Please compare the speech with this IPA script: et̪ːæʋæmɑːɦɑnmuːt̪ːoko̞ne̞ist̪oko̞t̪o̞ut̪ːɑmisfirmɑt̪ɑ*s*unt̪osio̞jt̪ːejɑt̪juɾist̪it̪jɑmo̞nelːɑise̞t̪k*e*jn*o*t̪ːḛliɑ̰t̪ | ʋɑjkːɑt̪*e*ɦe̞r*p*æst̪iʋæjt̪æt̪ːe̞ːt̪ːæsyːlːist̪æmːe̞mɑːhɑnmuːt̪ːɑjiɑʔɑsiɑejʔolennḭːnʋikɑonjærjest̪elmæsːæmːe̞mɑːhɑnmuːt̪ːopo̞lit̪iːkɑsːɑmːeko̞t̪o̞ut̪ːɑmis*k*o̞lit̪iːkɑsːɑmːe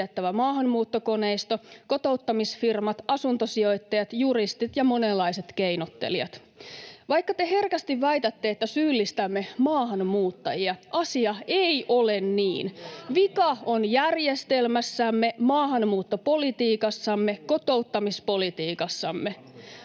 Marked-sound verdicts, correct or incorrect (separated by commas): correct, correct, correct, correct, incorrect, incorrect